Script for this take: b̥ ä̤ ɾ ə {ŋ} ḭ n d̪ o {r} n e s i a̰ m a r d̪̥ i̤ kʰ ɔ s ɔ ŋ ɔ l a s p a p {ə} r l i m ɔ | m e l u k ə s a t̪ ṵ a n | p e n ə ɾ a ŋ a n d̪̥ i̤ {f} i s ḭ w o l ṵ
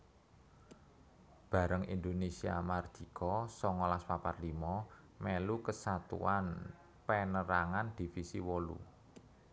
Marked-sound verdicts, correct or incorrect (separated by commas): correct, incorrect, incorrect, correct